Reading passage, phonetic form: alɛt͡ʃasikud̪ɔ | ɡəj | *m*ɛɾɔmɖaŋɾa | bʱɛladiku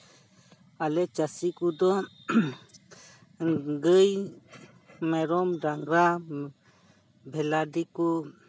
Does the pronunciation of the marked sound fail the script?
no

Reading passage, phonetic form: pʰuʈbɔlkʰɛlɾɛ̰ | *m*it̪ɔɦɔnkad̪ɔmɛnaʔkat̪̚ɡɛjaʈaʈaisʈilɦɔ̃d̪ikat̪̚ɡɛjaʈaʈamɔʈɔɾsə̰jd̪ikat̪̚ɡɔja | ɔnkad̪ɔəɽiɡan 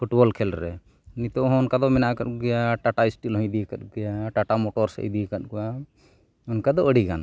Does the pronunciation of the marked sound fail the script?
yes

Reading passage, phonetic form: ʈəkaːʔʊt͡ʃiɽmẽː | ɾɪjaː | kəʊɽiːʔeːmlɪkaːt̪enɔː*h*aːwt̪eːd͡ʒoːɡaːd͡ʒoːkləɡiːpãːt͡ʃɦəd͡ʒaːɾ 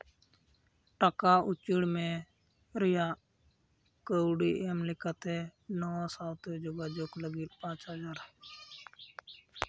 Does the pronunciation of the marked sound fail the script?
yes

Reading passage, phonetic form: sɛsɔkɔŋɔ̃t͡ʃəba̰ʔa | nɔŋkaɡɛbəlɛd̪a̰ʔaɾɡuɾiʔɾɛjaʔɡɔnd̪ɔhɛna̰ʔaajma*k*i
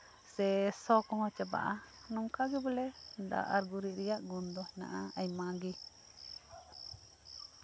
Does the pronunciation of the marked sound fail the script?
yes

